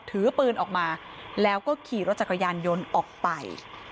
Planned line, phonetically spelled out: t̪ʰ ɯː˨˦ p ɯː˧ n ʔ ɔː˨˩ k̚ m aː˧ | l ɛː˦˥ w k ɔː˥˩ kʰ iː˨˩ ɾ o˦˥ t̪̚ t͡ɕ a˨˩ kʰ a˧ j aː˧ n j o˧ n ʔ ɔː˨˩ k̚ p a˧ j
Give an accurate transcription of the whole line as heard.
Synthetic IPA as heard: t̪ʰ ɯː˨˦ p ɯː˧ n ʔ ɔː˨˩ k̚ m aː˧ | l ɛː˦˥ w k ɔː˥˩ kʰ iː˨˩ ɾ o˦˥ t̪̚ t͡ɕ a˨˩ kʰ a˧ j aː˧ n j o˧ n ʔ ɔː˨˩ k̚ p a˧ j

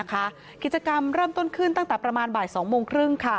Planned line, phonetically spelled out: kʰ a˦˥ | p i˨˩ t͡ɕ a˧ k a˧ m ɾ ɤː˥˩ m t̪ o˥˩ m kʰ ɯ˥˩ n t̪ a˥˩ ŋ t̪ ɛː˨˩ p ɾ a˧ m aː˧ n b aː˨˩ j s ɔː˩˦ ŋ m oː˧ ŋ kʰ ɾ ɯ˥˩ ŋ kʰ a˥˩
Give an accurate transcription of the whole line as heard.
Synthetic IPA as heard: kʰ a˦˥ | k i˨˩ t͡ɕ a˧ k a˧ m ɾ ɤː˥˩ m t̪ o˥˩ n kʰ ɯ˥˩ n t̪ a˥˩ ŋ t̪ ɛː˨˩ p ɾ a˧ m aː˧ n b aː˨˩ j s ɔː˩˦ ŋ m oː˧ ŋ kʰ ɾ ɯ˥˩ ŋ kʰ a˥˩

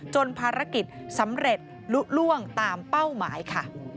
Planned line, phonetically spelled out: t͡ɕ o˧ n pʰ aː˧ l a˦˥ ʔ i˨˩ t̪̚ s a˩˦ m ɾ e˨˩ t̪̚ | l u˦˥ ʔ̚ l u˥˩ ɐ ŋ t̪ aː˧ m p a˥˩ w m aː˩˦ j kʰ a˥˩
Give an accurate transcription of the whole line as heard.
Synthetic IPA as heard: t͡ɕ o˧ n pʰ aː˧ ɾ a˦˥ k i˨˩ t̪̚ s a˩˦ m ɾ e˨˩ t̪̚ | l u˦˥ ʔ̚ l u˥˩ ə ŋ t̪ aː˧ m p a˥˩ w m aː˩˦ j kʰ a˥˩

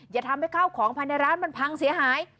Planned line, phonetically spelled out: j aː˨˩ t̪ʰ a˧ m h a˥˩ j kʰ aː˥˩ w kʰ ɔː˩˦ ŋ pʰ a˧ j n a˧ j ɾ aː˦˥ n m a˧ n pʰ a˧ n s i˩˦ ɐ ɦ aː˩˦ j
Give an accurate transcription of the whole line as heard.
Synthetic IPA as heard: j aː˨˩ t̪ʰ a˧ m h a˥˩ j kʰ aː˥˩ w kʰ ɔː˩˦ ŋ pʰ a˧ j n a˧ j ɾ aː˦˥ n m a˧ n pʰ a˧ ŋ s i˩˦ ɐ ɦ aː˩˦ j

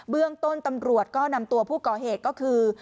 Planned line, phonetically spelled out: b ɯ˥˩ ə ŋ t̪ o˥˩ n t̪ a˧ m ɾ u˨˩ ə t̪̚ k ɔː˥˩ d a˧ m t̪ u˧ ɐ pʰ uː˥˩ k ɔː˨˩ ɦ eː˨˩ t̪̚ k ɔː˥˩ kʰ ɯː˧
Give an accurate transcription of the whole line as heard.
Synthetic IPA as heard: b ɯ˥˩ ə ŋ t̪ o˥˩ n t̪ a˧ m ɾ u˨˩ ə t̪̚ k ɔː˥˩ n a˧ m t̪ u˧ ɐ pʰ uː˥˩ k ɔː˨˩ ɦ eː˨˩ t̪̚ k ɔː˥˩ kʰ ɯː˧

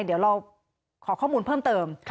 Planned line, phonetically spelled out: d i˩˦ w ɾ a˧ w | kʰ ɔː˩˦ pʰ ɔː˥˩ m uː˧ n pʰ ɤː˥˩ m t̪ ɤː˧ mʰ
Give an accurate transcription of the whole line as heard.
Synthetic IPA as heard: d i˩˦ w ɾ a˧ w | kʰ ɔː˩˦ kʰ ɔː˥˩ m uː˧ n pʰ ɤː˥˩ m t̪ ɤː˧ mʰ

